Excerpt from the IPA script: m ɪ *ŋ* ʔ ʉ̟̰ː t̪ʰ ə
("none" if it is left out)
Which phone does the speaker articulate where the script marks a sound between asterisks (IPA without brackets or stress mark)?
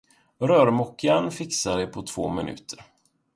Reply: n